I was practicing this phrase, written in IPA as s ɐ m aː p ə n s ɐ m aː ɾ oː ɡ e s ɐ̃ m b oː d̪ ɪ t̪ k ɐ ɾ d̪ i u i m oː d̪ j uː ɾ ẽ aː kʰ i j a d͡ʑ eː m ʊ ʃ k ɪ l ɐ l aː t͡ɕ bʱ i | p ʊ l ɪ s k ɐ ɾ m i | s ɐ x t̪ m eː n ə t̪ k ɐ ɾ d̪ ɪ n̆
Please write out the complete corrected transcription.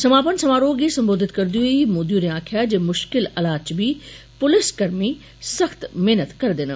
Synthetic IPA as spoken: s ɐ m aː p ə n s ɐ m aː ɾ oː ɡ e s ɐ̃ m b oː d̪ ɪ t̪ k ɐ ɾ d̪ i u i m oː d̪ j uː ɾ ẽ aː kʰ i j a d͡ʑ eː m ʊ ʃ k ɪ l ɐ l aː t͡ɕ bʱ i | p ʊ l ɪ s k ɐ ɾ m i | s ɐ x t̪ m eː n ə t̪ k ɐ ɾ d̪ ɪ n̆